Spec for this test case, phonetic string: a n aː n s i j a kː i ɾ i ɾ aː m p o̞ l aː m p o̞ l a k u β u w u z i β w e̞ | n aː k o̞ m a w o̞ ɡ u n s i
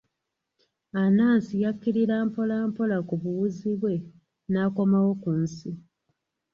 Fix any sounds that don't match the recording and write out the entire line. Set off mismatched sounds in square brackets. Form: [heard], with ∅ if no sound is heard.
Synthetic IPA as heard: a n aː n s i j a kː i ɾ i ɾ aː m p o̞ l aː m p o̞ l a k u β u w u z i β w e̞ | n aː k o̞ m a w o̞ [k] u n s i